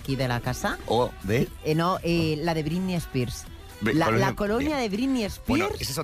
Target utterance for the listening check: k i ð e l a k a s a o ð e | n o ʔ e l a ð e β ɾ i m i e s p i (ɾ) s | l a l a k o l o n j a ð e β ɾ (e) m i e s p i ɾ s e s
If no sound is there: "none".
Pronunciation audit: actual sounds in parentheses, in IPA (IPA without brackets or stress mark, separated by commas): ɾ, i